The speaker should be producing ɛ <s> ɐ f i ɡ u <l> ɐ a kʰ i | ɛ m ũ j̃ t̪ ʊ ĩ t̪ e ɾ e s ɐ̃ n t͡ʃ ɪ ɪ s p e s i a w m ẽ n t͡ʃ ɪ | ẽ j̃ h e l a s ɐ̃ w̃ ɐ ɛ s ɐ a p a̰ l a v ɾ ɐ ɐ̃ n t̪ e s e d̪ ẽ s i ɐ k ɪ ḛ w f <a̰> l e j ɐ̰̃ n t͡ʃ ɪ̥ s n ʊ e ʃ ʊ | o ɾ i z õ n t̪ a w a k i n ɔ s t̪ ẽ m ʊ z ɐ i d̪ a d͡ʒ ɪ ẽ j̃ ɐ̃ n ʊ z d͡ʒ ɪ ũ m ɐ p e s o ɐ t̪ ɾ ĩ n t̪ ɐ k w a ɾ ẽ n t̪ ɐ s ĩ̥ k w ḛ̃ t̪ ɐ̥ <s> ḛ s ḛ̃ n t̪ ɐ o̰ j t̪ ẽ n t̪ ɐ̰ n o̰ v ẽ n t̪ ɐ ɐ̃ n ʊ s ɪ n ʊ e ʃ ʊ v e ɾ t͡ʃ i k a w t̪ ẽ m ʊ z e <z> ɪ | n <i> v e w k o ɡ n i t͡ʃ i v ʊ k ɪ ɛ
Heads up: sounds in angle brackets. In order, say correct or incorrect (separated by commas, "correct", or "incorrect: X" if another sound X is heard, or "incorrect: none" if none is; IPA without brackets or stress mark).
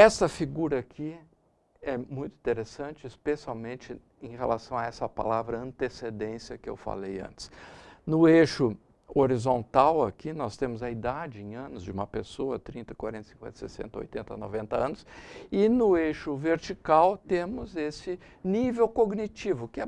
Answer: correct, incorrect: ɾ, correct, correct, incorrect: s, correct